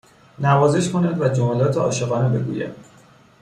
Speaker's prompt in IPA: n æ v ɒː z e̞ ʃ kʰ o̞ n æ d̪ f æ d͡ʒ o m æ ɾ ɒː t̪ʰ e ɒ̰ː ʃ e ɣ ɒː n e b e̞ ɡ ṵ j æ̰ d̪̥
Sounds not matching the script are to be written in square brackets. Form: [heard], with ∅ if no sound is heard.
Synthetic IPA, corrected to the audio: n æ v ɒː z e̞ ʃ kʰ o̞ n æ d̪ [v] æ d͡ʒ o m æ [l] ɒː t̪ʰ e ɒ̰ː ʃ e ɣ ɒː n e b e̞ ɡ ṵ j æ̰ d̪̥